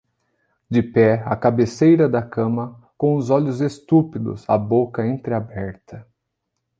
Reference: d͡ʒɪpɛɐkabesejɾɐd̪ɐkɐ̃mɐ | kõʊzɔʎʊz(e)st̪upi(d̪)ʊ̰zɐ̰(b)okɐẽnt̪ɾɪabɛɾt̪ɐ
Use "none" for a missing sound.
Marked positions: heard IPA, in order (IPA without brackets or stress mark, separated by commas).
e, d̪, b